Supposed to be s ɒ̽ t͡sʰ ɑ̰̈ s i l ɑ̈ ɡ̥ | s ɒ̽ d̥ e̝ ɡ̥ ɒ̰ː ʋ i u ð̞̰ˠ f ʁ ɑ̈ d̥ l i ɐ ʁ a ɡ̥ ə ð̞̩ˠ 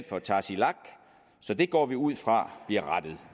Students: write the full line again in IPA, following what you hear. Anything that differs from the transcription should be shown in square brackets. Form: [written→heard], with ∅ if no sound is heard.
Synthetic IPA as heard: [s→f] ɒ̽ t͡sʰ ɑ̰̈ s i l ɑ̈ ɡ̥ | s ɒ̽ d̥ e̝ ɡ̥ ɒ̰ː ʋ i u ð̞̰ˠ f ʁ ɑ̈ [d̥→b̥] l i ɐ ʁ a [ɡ̥→d̥] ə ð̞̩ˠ